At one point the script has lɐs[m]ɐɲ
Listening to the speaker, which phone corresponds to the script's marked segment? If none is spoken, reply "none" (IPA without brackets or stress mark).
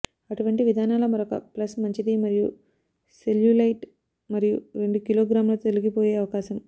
m